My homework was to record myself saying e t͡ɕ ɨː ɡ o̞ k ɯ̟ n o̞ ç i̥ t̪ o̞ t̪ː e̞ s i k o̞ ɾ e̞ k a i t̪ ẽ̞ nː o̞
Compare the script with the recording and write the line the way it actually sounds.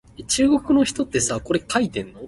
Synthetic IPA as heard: e t͡ɕ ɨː ɡ o̞ k ɯ̟ n o̞ ç i̥ t̪ o̞ t̪ː e̞ s a k o̞ ɾ e̞ k a i t̪ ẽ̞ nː o̞

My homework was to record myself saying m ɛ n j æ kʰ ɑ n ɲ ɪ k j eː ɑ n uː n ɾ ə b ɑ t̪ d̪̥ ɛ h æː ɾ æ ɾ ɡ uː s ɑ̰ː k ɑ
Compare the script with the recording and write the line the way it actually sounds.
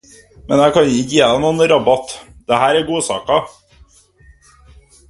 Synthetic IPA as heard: m ɛ n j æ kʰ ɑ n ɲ ɪ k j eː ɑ n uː n ɾ ɑ b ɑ t̪ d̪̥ ɛ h æː ɾ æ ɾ ɡ uː s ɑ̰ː k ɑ

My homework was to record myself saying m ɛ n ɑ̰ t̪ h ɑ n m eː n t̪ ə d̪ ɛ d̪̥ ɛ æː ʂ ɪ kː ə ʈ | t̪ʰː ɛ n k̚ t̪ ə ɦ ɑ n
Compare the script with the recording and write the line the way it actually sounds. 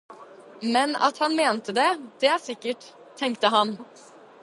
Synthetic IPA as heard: m ɛ n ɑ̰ t̪ h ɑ n m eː n t̪ ə d̪ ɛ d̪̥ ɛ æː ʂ ɪ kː ə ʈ | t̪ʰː ɛ ŋ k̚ t̪ ə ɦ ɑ n

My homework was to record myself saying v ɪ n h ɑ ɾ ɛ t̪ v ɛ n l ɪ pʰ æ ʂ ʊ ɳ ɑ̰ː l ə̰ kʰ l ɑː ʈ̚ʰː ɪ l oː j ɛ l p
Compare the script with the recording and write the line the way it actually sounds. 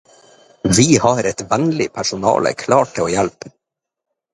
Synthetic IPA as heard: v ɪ h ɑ ɾ ɛ t̪ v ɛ n l ɪ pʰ æ ʂ ʊ n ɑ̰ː l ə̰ kʰ l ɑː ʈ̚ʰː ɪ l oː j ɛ l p

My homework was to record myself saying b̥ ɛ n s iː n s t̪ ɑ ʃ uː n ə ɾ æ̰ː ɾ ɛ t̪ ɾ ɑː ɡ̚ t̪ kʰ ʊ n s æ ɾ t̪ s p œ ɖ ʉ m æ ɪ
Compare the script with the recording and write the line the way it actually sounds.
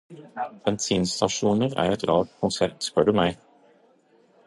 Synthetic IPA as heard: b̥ ɛ n s iː n s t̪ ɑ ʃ uː n ə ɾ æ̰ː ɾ ɛ t̪ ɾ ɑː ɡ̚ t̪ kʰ ʊ n s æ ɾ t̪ s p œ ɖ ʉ m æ ɪ

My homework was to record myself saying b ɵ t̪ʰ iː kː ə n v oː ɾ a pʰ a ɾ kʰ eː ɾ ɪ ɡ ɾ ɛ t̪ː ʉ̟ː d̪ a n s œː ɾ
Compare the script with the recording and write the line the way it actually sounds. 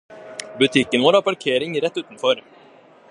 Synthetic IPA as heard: b ɵ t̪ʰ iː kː ə n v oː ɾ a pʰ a ɾ kʰ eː ɾ ɪ ŋ ɾ ɛ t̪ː ʉ̟ː t̪ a n f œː ɾ

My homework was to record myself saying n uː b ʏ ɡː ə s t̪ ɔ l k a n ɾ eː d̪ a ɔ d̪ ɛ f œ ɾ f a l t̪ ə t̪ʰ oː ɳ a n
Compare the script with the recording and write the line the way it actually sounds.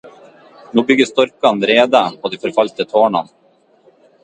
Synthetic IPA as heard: n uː b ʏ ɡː ə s t̪ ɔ ɾ k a n ɾ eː d̪ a ɔ d̪ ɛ f œ ɾ f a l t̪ ə t̪ʰ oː ɳ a n

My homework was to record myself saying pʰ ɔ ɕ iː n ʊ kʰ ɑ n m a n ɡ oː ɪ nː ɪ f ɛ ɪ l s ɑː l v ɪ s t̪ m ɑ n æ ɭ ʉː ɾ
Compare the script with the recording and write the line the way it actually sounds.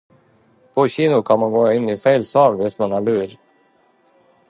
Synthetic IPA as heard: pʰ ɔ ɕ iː n ʊ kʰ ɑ n m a n ɡ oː ɪ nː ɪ f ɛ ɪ l s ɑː l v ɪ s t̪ m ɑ n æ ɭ ʉː ɾ

